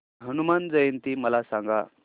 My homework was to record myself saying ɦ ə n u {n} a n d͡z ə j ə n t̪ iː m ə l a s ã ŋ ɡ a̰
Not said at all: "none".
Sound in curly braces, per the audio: m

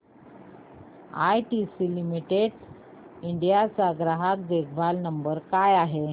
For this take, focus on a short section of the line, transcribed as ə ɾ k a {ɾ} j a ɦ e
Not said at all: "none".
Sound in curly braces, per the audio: none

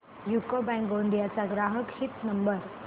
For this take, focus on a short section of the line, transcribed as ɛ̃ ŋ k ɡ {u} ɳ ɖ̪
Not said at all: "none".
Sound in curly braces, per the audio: o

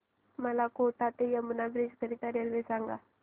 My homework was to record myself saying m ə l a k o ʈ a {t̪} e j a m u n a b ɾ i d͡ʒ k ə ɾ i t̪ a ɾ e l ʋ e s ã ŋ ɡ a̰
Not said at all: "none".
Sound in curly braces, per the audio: t̪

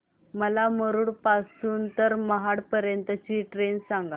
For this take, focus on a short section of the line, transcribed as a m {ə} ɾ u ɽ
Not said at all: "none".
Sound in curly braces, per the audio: ə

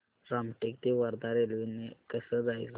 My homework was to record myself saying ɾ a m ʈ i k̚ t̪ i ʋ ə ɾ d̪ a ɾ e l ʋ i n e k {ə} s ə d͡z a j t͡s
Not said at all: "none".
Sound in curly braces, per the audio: ə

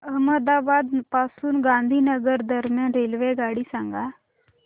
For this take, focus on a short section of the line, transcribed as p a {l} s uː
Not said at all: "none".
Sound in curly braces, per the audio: none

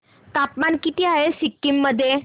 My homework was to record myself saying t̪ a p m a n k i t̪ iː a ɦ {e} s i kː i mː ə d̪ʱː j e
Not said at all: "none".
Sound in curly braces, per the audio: e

